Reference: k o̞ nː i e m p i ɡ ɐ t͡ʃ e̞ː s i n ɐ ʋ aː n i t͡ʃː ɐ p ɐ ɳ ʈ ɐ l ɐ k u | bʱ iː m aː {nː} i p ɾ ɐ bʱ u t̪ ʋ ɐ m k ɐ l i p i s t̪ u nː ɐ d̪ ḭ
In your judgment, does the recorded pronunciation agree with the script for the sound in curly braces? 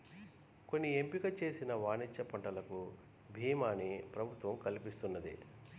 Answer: no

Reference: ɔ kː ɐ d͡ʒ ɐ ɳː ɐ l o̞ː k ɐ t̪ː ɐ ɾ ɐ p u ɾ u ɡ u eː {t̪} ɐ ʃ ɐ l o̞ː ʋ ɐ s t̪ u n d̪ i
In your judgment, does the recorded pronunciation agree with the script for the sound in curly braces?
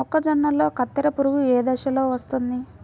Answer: no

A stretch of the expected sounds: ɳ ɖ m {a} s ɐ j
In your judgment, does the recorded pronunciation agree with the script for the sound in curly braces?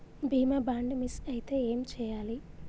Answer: no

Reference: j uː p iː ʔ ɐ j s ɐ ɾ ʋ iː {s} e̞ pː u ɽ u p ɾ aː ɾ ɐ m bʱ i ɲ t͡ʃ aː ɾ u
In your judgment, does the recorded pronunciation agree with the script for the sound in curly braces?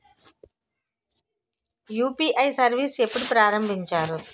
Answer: yes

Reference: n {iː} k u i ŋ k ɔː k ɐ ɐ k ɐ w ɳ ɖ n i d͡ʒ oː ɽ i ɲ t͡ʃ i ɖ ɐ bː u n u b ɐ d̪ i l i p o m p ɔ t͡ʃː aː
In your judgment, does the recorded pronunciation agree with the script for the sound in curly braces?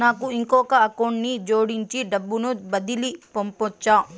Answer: no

